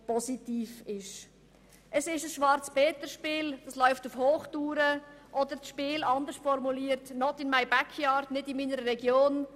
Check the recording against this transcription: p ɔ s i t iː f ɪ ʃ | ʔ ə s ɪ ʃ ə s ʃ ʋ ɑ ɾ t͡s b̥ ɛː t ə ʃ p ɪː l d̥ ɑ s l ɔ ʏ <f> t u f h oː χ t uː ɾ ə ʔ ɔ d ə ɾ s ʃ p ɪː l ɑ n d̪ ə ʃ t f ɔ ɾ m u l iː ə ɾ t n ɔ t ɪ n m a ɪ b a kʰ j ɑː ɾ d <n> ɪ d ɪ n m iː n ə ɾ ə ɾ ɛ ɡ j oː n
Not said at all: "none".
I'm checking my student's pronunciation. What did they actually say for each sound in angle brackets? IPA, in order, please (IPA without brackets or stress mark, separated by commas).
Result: f, n